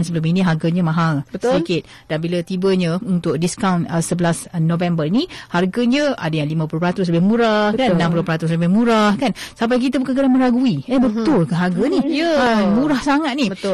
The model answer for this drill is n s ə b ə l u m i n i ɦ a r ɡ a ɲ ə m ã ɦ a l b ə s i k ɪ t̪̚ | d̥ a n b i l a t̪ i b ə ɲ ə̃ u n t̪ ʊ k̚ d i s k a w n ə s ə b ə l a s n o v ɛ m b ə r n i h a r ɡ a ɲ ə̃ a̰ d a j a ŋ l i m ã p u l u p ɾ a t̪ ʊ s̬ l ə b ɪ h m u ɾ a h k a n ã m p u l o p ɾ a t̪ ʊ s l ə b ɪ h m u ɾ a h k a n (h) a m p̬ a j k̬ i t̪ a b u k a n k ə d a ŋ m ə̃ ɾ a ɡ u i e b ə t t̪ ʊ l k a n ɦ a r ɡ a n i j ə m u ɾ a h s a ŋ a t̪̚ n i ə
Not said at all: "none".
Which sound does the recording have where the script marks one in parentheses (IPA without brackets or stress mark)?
s